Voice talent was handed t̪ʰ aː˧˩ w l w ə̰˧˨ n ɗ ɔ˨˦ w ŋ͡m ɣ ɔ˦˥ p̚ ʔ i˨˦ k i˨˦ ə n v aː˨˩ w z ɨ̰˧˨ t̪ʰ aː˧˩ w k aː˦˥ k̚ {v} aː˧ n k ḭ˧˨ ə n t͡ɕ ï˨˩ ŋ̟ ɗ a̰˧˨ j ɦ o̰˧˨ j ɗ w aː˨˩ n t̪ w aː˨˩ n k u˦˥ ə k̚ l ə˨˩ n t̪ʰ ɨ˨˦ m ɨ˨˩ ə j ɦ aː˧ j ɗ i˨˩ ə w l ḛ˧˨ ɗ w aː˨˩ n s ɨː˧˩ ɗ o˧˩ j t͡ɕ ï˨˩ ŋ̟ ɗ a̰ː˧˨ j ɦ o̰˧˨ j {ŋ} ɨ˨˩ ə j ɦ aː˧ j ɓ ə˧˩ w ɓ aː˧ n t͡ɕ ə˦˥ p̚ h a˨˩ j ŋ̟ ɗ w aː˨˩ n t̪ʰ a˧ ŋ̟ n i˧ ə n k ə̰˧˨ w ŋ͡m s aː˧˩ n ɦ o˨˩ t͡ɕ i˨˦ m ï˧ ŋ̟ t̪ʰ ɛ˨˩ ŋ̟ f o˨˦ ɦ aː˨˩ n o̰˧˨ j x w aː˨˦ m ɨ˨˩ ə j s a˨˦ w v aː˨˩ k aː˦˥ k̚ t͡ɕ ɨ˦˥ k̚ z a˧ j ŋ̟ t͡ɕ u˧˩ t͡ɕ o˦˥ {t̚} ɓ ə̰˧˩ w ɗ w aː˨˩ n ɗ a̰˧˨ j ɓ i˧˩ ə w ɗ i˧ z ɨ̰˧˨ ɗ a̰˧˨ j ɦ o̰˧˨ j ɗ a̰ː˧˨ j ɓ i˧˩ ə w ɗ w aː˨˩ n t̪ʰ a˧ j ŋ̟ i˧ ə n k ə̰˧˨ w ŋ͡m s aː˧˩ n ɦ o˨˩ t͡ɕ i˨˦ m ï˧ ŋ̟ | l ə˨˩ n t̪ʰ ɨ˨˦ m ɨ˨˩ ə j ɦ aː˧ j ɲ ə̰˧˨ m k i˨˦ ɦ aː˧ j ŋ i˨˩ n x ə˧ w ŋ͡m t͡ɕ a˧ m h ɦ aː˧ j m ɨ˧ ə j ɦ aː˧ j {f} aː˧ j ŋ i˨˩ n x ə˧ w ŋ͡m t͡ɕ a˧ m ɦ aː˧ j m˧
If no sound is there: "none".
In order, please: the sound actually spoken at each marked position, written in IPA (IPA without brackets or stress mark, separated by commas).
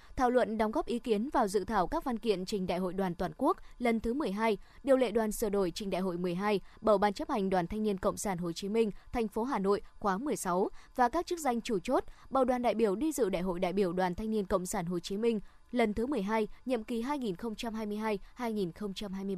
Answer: v, m, t̚, h